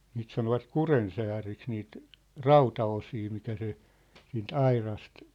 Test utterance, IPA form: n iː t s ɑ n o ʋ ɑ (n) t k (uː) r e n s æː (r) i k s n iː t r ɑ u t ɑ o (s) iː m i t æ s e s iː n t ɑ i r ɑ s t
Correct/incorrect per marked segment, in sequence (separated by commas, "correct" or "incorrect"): incorrect, incorrect, correct, correct